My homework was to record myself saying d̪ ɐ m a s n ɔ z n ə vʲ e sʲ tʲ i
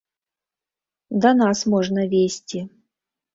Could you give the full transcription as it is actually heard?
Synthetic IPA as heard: d̪ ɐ n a s m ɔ ʐ n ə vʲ e sʲ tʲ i